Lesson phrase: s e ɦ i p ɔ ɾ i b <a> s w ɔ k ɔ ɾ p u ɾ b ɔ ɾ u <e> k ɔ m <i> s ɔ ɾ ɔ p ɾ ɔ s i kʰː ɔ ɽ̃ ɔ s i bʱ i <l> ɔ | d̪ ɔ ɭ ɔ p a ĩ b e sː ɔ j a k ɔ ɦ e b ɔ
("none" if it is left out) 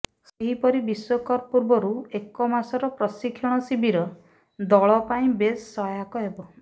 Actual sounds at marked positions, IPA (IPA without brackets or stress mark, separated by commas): i, e, a, ɾ